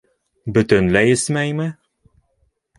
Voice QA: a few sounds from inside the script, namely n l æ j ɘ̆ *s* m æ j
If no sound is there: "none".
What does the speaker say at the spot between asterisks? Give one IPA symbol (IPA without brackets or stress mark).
s